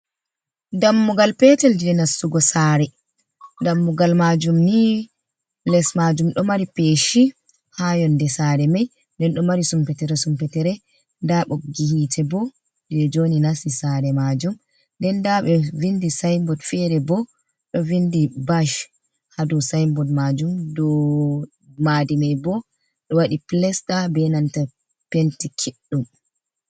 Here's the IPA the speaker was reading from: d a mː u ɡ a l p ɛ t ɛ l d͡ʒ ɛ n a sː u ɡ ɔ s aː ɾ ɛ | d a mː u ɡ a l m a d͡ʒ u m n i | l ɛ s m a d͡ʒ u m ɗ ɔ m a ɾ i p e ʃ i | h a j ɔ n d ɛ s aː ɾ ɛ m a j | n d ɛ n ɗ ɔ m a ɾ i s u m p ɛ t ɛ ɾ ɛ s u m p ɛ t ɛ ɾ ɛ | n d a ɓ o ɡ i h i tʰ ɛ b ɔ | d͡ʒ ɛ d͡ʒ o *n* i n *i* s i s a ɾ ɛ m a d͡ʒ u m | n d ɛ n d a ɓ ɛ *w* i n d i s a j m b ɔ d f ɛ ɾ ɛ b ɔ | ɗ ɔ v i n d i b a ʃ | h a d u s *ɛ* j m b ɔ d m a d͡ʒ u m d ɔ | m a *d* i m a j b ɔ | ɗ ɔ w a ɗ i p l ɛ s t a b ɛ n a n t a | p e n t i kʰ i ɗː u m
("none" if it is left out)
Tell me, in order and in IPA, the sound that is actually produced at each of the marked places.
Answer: n, a, v, a, d

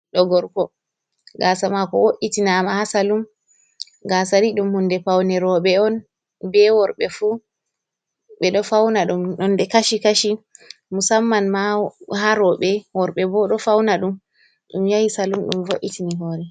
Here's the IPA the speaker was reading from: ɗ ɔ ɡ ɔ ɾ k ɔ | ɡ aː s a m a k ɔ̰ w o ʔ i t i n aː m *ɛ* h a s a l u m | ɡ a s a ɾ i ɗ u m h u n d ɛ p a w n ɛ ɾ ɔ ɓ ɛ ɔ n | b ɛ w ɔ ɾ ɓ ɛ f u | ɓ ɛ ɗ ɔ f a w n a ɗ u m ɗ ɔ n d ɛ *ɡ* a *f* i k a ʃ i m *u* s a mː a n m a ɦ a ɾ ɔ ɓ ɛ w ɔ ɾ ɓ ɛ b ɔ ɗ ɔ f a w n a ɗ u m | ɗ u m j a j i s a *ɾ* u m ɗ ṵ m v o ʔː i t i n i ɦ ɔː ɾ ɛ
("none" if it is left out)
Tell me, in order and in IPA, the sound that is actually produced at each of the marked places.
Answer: a, k, ʃ, u, l

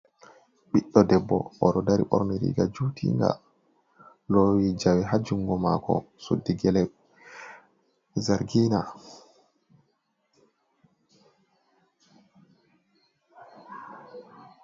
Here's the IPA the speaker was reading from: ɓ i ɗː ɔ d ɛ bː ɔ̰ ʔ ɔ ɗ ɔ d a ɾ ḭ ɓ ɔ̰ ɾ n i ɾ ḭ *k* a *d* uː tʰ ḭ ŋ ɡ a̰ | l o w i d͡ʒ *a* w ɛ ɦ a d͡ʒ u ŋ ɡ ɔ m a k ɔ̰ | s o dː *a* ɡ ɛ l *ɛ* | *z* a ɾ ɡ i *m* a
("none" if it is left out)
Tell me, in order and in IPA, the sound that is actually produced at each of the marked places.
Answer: ɡ, d͡ʒ, a, i, ɛ, z, n

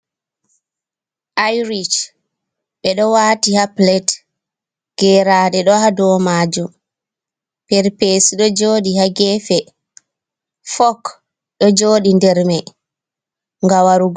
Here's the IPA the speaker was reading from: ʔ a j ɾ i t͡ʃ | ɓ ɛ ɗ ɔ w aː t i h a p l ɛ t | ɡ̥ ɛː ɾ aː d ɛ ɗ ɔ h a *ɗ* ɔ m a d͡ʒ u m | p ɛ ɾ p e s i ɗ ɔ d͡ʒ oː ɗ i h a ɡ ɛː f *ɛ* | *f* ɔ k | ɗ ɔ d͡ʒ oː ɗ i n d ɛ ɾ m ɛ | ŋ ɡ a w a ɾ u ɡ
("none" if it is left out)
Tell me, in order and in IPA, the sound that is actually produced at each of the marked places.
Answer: d, ɛ, f

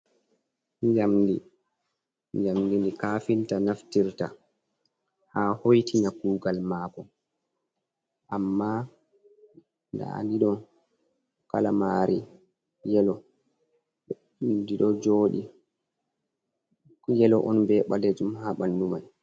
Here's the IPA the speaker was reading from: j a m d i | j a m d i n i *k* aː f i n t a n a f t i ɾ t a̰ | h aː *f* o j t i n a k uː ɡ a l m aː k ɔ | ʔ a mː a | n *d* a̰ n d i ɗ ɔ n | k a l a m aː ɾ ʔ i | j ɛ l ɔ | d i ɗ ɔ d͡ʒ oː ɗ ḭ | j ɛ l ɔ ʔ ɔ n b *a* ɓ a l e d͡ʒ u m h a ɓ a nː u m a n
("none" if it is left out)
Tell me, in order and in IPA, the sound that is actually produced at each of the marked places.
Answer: k, h, d, ɛ

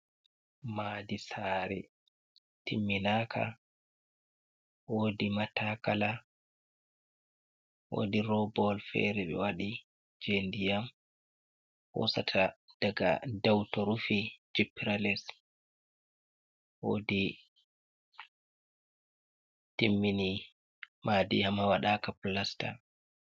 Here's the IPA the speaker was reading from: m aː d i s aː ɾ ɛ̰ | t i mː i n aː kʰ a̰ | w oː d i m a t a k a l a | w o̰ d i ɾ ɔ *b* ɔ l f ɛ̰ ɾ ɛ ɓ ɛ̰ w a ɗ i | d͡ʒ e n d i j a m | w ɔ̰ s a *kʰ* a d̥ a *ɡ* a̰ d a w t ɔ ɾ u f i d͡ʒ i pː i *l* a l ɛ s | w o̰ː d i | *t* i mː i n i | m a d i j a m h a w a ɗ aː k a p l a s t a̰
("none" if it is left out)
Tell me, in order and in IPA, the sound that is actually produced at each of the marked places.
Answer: b, tʰ, ɡ, ɾ, t

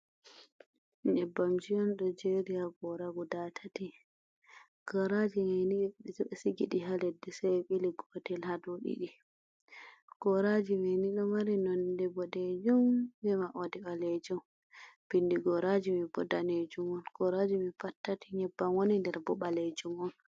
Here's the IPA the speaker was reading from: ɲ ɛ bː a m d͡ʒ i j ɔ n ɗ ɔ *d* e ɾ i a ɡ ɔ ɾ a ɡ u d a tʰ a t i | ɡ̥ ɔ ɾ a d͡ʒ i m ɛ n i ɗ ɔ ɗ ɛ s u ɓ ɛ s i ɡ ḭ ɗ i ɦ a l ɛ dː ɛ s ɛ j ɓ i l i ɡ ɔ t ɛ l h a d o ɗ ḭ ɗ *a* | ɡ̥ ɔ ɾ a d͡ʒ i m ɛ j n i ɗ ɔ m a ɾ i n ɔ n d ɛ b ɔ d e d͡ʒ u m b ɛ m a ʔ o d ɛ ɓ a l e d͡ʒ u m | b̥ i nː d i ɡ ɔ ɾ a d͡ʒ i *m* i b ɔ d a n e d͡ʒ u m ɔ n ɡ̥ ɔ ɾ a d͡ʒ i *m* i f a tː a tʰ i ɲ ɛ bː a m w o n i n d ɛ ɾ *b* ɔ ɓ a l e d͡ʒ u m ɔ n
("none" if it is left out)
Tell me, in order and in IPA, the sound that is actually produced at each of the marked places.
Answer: d͡ʒ, i, m, m, b

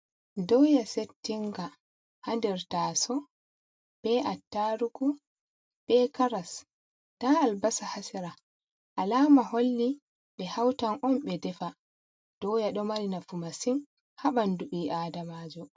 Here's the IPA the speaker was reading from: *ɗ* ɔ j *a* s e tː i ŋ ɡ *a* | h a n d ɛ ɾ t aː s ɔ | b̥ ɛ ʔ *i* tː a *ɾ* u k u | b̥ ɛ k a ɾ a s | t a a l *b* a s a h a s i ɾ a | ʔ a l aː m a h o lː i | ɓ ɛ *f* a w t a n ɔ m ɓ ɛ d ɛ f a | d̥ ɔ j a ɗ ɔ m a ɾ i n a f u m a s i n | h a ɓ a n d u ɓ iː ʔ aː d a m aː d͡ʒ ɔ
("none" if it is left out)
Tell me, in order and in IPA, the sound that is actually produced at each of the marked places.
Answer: d, a, a, a, ɾ, b, h

